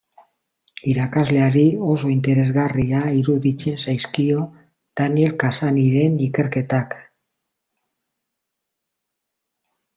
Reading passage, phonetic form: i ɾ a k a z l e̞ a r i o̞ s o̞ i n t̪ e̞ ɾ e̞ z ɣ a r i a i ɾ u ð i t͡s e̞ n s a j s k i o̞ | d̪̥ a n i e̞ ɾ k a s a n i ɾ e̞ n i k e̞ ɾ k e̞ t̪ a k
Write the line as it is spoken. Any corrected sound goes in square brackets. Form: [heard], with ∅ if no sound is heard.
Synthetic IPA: i ɾ a k a z l e̞ a [ɾ] i o̞ s o̞ i n t̪ e̞ ɾ e̞ z ɣ a r i a i ɾ u ð i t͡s e̞ n s a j s k i o̞ | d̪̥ a n i e̞ [l] k a s a n i ɾ e̞ n i k e̞ ɾ k e̞ t̪ a k